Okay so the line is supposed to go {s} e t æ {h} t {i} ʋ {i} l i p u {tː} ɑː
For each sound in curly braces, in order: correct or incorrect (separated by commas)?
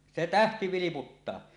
correct, correct, correct, correct, correct